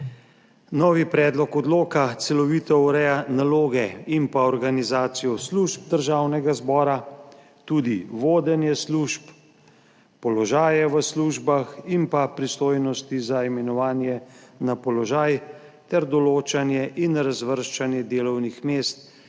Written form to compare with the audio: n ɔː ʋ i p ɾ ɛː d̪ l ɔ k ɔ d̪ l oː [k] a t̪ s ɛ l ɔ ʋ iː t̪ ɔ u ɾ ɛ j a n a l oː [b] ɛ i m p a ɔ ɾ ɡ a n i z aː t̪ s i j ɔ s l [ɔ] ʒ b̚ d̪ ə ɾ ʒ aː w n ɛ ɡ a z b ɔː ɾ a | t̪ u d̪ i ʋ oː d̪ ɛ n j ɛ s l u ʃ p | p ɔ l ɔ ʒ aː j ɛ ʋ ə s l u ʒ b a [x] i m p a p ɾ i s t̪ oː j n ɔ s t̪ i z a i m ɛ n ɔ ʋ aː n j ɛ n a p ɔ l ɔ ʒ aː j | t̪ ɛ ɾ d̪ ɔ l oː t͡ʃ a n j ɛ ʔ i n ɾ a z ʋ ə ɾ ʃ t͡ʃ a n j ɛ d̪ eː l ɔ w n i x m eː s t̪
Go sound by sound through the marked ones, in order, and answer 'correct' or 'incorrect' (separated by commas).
correct, incorrect, incorrect, correct